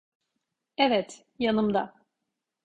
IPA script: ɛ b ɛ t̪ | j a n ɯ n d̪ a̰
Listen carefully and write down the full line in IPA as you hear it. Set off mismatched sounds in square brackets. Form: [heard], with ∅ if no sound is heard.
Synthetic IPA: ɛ [v] ɛ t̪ | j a n ɯ [m] d̪ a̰